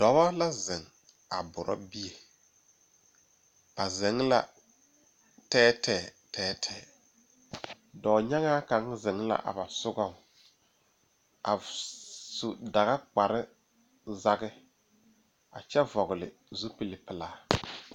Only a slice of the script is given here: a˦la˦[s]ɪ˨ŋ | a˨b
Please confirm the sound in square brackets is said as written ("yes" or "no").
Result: no